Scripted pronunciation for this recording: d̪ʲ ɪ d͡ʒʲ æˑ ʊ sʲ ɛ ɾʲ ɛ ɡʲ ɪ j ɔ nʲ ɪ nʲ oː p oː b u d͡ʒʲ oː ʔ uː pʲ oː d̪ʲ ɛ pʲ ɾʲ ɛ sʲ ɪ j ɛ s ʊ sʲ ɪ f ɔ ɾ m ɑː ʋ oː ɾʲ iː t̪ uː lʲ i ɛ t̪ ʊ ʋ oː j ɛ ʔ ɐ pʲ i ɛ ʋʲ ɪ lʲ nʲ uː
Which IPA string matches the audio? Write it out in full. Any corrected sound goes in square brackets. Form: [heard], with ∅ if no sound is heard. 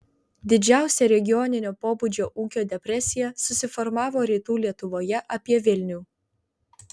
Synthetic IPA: d̪ʲ ɪ d͡ʒʲ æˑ ʊ sʲ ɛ ɾʲ ɛ ɡʲ ɪ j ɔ nʲ ɪ nʲ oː p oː b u d͡ʒʲ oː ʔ uː [kʲ] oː d̪ʲ ɛ pʲ ɾʲ ɛ sʲ ɪ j ɛ s ʊ sʲ ɪ f ɔ ɾ m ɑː ʋ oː ɾʲ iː t̪ uː lʲ i ɛ t̪ ʊ ʋ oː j ɛ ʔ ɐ pʲ i ɛ ʋʲ ɪ lʲ nʲ uː